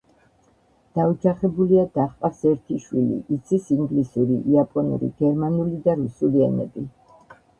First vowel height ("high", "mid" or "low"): low